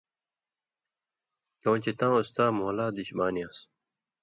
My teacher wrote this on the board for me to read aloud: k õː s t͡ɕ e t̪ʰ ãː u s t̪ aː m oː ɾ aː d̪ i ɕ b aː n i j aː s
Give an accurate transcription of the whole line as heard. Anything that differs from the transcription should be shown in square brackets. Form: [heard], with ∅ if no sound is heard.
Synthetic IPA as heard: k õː [∅] t͡ɕ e [t̪] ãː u s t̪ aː m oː [l] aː d̪ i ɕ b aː n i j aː s